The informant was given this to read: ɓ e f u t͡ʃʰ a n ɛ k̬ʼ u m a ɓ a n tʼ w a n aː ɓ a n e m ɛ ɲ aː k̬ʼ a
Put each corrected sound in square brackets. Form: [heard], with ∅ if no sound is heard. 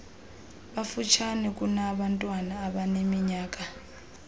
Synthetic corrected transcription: ɓ [a] f u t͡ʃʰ a n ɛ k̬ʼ u [n] a ɓ a n tʼ w a n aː ɓ a n e m [i] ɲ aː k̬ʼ a